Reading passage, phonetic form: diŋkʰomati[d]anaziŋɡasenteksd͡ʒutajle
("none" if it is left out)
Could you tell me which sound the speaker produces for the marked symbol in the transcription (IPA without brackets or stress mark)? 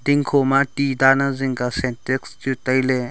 d